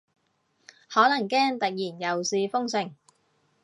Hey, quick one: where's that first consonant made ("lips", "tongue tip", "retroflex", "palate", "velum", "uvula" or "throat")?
throat